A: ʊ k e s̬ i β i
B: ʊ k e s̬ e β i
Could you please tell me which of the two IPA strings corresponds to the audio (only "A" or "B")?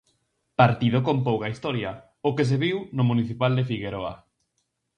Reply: B